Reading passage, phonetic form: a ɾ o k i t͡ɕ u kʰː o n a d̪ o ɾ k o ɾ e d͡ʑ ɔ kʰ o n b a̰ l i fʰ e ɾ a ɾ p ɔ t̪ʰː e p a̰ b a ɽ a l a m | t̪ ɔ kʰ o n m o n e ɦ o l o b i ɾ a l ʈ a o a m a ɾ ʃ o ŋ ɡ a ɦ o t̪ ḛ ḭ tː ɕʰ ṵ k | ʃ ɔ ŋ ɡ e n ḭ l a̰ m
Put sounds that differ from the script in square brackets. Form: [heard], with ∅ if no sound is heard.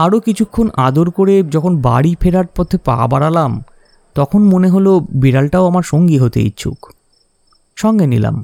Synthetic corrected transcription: a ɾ o k i [t͡ɕʰ] u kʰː o n a d̪ o ɾ k o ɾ e d͡ʑ ɔ kʰ o n b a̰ [ɽ] i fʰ e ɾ a ɾ p ɔ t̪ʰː e p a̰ b a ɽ a l a m | t̪ ɔ kʰ o n m o n e ɦ o l o b i ɾ a l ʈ a o a m a ɾ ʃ o ŋ ɡ [i] ɦ o t̪ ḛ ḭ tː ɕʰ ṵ k | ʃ ɔ ŋ ɡ e n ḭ l a̰ m